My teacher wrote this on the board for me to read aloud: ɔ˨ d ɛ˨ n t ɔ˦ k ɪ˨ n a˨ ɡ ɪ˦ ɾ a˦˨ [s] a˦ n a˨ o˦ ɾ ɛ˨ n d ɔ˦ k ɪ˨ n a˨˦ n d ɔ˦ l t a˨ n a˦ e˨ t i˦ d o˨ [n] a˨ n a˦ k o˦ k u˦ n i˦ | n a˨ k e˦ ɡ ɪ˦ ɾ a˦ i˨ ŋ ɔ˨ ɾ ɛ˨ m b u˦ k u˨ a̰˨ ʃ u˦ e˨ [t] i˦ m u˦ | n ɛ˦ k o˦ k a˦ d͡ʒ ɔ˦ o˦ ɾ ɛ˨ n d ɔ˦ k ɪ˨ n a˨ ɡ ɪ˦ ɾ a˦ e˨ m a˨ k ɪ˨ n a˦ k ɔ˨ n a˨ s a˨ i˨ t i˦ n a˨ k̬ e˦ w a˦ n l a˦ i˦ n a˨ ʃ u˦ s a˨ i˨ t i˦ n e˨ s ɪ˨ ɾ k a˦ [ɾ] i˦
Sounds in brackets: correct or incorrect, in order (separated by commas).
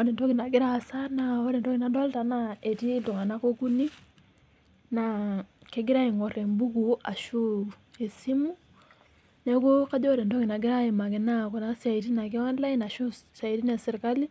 correct, incorrect, incorrect, incorrect